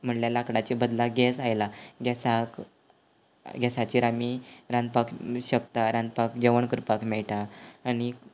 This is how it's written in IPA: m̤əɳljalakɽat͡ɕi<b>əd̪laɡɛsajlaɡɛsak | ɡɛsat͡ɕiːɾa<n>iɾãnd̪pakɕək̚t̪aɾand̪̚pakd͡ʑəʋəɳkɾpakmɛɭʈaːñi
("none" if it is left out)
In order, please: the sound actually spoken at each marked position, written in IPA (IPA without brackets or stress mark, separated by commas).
b, m